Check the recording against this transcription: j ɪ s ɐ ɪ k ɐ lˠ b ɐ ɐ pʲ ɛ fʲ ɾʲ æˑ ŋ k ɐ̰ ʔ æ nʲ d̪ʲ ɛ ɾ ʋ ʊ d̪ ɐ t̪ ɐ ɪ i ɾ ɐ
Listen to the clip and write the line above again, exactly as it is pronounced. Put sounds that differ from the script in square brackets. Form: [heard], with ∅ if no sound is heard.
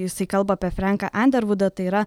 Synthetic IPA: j ɪ s ɐ ɪ k ɐ lˠ b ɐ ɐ pʲ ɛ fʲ ɾʲ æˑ ŋ k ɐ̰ ʔ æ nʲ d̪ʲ ɛ ɾ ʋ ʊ d̪ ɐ t̪ ɐ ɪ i ɾ ɐ